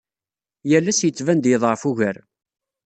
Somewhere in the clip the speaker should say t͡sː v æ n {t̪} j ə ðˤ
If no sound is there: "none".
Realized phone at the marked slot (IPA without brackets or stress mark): d̪